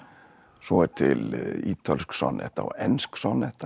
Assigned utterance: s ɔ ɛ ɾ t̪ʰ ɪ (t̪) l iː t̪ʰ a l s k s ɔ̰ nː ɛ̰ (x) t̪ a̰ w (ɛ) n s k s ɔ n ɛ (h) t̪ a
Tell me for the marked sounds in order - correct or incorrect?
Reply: incorrect, incorrect, correct, correct

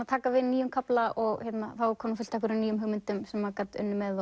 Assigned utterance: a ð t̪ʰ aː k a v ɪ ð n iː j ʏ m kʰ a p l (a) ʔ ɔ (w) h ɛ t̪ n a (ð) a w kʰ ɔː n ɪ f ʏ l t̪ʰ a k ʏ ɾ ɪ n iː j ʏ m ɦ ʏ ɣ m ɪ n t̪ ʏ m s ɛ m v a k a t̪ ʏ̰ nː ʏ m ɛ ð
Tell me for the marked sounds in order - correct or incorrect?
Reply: correct, incorrect, incorrect

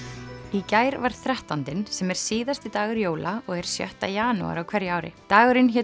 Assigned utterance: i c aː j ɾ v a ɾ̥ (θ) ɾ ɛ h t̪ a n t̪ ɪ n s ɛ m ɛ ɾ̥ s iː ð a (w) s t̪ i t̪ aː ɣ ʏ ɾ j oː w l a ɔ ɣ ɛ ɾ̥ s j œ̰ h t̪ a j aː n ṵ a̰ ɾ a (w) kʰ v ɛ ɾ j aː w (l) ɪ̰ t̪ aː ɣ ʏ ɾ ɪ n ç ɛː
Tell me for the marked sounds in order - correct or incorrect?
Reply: correct, incorrect, correct, incorrect

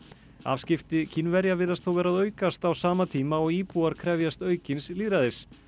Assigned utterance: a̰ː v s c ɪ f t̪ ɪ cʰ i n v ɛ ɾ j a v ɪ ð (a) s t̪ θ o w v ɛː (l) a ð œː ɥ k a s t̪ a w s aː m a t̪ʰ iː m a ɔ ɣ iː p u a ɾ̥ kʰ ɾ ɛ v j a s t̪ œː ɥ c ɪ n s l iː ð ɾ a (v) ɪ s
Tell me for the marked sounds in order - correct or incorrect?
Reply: correct, incorrect, incorrect

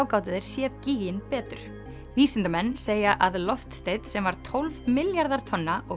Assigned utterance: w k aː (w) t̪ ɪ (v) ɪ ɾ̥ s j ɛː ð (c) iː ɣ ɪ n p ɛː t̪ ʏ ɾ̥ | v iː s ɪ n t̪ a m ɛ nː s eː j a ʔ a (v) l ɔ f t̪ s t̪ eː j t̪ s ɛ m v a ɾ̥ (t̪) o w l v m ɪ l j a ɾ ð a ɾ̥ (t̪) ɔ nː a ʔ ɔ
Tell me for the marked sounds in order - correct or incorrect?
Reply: correct, incorrect, correct, incorrect, incorrect, incorrect

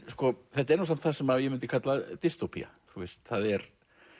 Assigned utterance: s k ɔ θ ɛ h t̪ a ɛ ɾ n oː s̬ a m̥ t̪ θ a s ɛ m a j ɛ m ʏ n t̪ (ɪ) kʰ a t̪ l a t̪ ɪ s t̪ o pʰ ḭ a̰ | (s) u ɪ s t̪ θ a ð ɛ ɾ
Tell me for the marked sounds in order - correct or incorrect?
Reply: correct, incorrect

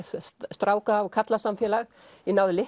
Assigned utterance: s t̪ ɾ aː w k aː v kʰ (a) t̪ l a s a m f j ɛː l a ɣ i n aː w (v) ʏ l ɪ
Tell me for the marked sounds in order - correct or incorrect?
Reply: correct, incorrect

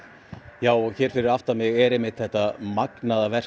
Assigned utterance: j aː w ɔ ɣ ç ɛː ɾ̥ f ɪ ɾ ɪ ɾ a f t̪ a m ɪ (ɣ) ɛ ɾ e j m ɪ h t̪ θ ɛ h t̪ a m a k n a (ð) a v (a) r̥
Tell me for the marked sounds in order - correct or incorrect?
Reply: correct, correct, incorrect

